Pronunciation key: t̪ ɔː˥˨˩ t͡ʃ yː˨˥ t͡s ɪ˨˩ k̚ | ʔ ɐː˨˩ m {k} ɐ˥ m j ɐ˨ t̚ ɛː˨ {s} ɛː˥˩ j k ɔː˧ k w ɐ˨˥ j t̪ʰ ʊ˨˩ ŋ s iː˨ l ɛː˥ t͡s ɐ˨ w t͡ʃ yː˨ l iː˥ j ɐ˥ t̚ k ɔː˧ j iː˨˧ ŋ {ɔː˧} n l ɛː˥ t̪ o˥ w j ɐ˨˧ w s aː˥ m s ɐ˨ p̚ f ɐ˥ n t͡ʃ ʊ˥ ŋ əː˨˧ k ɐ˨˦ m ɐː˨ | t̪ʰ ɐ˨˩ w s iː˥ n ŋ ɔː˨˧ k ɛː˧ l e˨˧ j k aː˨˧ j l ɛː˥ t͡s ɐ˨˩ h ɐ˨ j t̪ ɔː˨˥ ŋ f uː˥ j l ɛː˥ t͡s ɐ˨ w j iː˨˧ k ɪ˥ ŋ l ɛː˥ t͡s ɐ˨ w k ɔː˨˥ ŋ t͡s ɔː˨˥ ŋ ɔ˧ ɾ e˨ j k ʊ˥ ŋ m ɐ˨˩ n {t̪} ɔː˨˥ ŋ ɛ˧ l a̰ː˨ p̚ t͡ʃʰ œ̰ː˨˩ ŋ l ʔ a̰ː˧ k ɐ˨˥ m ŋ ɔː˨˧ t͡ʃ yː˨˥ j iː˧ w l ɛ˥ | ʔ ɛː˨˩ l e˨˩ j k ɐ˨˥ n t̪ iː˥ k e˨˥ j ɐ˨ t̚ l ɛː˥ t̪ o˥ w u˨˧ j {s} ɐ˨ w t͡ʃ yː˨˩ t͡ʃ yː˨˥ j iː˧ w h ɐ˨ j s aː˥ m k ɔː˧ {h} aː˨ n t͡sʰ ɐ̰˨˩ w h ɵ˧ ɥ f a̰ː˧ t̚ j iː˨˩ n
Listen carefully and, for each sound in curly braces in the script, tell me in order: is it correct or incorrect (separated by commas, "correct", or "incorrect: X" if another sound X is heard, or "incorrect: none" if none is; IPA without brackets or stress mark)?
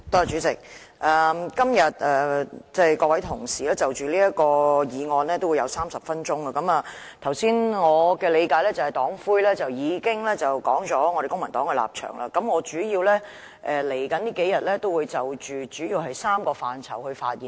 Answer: correct, incorrect: t͡s, correct, correct, incorrect: t͡s, incorrect: f